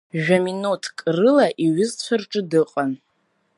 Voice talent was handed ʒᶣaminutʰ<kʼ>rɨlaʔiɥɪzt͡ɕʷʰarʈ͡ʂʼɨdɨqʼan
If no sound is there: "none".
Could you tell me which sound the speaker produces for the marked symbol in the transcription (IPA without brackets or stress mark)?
kʼ